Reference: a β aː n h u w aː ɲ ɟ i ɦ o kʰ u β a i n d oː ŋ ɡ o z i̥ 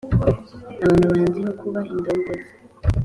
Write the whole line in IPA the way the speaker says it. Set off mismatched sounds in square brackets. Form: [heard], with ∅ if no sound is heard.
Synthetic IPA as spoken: a β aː n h u [β] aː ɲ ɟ i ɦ o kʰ u β a i n d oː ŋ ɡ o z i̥